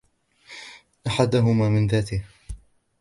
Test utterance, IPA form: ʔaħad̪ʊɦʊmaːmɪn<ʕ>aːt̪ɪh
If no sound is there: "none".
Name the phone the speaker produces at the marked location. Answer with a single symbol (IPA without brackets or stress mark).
ð